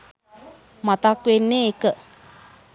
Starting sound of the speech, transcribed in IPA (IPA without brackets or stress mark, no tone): m